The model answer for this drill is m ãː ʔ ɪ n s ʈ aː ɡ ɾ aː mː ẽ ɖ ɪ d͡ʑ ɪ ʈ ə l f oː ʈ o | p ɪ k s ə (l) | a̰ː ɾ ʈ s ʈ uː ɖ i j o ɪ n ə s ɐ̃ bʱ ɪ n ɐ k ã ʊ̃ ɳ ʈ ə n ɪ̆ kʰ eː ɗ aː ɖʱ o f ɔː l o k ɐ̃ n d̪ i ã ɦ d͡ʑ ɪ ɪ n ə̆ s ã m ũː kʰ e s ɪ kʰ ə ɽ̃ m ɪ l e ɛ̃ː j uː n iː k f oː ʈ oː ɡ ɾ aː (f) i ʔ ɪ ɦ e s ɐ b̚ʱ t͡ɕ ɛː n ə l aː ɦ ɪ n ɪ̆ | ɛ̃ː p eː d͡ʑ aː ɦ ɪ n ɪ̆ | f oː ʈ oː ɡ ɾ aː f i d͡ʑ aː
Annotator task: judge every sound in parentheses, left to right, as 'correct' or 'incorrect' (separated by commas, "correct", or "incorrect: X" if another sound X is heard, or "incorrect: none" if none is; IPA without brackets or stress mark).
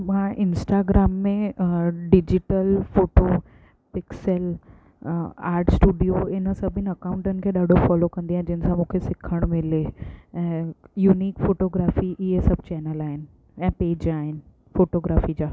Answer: correct, correct